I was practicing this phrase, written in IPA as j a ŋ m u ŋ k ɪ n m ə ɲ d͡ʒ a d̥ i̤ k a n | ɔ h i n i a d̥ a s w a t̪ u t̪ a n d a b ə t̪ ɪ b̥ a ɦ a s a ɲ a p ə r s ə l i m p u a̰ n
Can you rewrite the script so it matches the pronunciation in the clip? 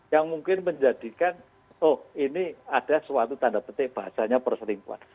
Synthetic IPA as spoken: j a ŋ m u ŋ k ɪ n m ə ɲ d͡ʒ a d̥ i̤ k a n | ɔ h i n i a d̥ a s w a t̪ u t̪ a n d a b ə t̪ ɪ b̥ a ɦ a s a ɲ a p ə r s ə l i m p u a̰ n